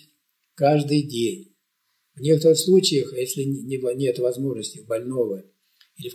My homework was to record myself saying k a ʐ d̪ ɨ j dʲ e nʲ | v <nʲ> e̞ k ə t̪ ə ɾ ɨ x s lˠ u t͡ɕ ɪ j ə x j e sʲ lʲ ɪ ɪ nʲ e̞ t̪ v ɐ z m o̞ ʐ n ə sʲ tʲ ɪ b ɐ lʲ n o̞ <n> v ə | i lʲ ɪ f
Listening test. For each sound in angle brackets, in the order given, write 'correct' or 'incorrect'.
correct, incorrect

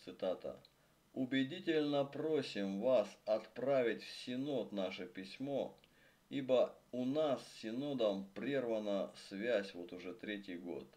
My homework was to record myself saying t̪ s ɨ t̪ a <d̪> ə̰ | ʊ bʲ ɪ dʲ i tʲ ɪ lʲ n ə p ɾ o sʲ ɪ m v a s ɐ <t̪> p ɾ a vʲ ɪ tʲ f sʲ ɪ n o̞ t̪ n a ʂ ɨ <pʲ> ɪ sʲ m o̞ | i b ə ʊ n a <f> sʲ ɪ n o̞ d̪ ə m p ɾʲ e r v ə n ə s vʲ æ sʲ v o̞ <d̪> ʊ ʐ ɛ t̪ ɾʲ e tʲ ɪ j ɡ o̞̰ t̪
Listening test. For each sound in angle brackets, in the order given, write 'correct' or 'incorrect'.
incorrect, correct, correct, incorrect, incorrect

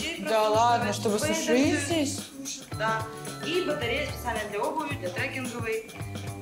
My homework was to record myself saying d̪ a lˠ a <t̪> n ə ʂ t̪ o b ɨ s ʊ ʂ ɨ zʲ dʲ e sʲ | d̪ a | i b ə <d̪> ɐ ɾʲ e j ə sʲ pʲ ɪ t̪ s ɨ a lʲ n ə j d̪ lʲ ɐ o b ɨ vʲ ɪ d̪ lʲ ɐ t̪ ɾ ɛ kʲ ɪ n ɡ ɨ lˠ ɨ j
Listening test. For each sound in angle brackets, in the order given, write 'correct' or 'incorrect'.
incorrect, incorrect

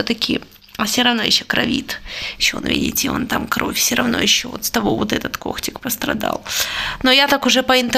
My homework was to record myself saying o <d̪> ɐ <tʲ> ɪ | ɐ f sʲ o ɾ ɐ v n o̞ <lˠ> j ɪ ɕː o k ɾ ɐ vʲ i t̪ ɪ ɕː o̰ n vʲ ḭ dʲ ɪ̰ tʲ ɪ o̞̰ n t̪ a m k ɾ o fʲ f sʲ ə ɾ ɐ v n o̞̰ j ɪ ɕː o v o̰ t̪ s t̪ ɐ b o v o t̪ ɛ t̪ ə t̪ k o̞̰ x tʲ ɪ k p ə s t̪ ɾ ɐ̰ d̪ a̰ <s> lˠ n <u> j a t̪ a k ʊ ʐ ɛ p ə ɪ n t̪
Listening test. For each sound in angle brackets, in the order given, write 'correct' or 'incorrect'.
incorrect, incorrect, incorrect, incorrect, incorrect

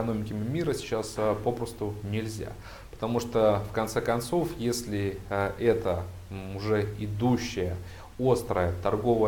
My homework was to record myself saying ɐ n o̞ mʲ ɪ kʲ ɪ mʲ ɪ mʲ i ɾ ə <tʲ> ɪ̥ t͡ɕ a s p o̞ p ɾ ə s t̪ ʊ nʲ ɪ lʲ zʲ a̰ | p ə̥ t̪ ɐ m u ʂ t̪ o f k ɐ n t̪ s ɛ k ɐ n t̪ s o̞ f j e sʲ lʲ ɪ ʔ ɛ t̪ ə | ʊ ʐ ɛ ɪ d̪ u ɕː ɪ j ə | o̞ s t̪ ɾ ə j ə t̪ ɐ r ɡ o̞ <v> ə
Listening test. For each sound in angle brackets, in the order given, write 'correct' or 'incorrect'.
incorrect, correct

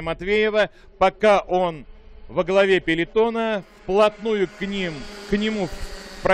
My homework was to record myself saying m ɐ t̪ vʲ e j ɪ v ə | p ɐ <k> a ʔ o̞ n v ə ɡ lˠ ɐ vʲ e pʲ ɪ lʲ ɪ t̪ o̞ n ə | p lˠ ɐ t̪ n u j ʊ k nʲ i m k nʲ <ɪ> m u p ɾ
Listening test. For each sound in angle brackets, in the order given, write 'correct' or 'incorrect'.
correct, correct

